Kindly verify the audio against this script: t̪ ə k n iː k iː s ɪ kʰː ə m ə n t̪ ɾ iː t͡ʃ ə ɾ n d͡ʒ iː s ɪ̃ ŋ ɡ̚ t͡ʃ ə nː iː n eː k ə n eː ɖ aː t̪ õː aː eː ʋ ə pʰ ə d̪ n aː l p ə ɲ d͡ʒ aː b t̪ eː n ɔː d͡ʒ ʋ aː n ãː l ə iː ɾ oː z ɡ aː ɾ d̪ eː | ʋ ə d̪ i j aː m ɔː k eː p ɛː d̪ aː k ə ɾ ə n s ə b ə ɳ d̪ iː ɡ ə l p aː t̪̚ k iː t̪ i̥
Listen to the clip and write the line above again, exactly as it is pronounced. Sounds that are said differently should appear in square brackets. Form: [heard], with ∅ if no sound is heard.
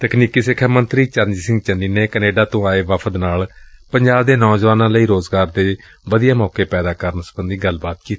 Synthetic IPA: t̪ ə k n iː k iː s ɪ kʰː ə m ə n t̪ ɾ iː t͡ʃ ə ɾ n d͡ʒ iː s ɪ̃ ŋ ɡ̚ t͡ʃ ə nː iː n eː k ə n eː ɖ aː t̪ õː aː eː ʋ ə pʰ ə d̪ n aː l p ə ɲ d͡ʒ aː b [d̪] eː n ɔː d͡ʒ ʋ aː n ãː l ə iː ɾ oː z ɡ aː ɾ d̪ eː | ʋ ə d̪ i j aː m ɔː k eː p ɛː d̪ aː k ə ɾ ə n s ə b ə [n] d̪ iː ɡ ə l [b] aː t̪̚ k iː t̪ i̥

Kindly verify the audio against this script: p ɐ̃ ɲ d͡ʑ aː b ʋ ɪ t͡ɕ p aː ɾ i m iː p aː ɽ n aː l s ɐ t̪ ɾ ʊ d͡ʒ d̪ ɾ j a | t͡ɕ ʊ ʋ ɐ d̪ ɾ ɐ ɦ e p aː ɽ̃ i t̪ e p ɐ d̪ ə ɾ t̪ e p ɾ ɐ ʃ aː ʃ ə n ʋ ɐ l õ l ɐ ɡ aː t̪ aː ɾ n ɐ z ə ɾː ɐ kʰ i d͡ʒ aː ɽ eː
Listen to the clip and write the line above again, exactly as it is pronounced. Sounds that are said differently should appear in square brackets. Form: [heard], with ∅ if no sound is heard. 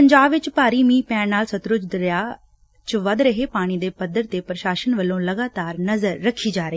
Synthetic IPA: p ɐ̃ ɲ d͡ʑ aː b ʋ ɪ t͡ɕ p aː ɾ i m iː p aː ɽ n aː l s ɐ t̪ ɾ ʊ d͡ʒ d̪ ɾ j a | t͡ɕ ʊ ʋ ɐ d̪ ɾ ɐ ɦ e p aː ɽ̃ i [d̪] e p ɐ d̪ ə ɾ t̪ e p ɾ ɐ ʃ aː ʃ ə n ʋ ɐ l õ l ɐ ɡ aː t̪ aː ɾ n ɐ z ə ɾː ɐ kʰ i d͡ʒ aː [ɾ] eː

